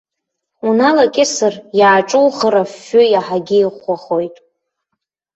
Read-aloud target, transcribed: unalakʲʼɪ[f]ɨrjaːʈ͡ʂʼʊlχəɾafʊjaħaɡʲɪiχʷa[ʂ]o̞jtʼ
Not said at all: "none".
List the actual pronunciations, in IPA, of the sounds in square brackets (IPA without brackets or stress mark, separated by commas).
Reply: s, χ